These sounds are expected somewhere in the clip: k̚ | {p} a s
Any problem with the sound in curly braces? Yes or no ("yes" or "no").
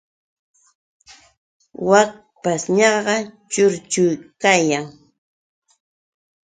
no